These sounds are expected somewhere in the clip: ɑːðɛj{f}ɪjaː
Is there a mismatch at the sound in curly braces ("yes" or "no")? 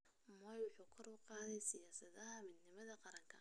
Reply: yes